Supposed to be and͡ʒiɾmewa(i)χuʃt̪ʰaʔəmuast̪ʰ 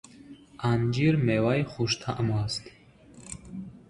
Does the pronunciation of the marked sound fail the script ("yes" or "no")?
yes